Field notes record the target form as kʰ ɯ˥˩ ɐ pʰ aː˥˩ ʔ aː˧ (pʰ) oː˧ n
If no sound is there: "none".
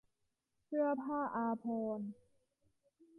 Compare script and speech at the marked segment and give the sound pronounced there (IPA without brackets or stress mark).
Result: pʰ